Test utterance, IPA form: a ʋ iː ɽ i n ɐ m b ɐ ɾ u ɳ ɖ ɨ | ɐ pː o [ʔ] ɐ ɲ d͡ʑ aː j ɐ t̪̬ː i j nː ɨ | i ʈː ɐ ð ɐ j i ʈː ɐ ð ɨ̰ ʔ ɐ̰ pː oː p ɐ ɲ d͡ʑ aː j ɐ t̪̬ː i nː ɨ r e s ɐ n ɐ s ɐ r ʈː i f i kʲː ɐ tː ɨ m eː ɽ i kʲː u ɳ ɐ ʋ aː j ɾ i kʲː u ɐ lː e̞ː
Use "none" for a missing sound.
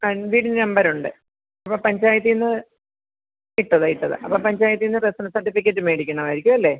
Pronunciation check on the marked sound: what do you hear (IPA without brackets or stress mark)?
p